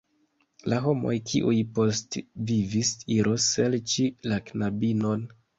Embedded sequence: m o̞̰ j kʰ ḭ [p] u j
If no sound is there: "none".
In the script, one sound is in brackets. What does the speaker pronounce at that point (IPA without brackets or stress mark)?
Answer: ʔ